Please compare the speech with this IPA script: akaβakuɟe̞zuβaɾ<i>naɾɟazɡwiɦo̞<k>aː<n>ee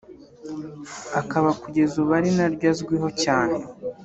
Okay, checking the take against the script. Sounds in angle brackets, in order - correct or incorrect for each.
correct, incorrect: c, correct

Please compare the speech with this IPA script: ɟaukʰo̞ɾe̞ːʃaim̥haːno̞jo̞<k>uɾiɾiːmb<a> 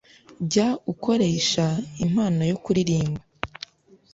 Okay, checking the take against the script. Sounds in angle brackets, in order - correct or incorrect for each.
correct, correct

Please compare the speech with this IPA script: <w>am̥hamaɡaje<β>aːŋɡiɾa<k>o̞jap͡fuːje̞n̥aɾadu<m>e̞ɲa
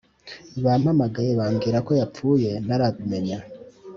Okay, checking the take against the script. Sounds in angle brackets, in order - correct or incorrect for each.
incorrect: β, correct, correct, correct

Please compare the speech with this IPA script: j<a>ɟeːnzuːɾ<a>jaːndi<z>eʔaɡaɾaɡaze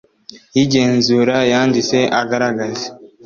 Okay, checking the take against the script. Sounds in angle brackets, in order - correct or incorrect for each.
incorrect: i, correct, incorrect: s

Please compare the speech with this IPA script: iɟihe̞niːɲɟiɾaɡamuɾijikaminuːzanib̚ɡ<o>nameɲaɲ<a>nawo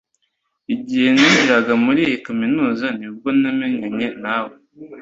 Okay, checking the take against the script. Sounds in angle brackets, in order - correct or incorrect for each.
correct, incorrect: e

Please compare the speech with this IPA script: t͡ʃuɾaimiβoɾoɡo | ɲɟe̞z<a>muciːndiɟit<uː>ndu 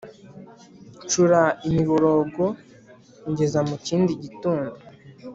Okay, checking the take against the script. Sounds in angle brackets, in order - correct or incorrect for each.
correct, correct

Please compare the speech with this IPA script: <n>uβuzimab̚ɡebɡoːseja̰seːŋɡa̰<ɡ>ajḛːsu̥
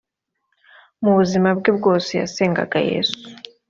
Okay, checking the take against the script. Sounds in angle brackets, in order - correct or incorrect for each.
incorrect: m, correct

